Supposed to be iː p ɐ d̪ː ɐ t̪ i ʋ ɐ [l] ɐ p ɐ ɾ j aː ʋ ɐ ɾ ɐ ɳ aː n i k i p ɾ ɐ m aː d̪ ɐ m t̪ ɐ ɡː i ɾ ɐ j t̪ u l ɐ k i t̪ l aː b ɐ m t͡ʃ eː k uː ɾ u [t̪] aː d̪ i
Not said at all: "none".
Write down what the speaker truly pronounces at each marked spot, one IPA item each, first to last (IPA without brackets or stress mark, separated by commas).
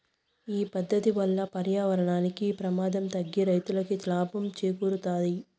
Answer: lː, t̪